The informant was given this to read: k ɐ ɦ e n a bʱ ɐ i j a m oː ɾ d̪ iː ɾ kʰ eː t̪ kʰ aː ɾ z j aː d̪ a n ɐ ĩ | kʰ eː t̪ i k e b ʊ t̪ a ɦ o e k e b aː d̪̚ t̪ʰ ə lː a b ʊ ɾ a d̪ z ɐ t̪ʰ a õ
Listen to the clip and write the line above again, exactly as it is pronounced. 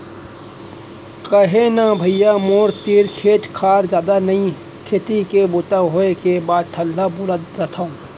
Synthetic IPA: k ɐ ɦ e n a bʱ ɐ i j a m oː ɾ t̪ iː ɾ kʰ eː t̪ kʰ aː ɾ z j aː d̪ a n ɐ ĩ | kʰ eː t̪ i k e b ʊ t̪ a ɦ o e k e b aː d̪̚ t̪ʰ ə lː a b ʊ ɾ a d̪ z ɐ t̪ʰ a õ